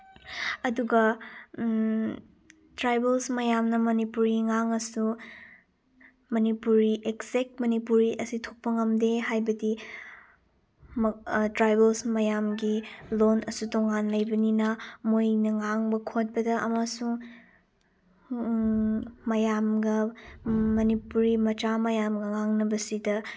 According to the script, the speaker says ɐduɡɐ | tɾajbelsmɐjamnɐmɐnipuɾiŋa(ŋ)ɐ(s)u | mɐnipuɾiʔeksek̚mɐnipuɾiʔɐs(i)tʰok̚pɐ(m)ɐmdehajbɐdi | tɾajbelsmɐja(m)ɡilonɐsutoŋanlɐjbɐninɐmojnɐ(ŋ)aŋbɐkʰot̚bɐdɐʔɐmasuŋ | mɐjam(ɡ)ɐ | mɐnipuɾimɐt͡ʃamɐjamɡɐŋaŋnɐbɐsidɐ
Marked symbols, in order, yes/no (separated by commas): yes, yes, yes, no, yes, yes, yes